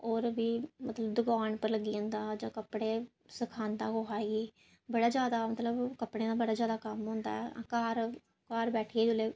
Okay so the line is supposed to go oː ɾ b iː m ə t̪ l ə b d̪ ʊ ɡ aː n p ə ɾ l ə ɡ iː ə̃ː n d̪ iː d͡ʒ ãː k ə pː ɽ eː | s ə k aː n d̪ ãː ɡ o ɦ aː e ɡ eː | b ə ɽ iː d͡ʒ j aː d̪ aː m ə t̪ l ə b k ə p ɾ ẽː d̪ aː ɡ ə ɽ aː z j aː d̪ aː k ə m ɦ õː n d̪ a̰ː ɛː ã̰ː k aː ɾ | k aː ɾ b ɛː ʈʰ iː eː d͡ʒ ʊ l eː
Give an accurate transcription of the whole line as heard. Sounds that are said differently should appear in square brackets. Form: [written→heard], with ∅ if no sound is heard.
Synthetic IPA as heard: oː ɾ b iː m ə t̪ l ə b d̪ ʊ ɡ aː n p ə ɾ l ə ɡ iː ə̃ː n d̪ [iː→aː] d͡ʒ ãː k ə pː ɽ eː | s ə [k→kʰ] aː n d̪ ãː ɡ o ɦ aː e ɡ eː | b ə ɽ [iː→aː] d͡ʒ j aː d̪ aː m ə t̪ l ə b k ə p [ɾ→ɽ] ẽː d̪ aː [ɡ→b] ə ɽ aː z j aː d̪ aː k ə m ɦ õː n d̪ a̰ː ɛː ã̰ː k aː ɾ | k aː ɾ b ɛː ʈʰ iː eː d͡ʒ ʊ l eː